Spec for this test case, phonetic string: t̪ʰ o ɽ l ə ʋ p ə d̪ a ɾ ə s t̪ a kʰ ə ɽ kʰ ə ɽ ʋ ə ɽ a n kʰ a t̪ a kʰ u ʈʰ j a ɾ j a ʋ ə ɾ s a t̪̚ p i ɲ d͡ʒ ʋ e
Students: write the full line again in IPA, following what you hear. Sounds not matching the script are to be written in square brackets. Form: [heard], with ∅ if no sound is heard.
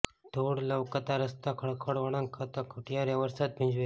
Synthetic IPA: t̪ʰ o ɽ l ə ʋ [k] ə [t̪] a ɾ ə s t̪ a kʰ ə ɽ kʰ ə ɽ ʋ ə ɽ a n kʰ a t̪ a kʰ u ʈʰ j a ɾ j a ʋ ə ɾ s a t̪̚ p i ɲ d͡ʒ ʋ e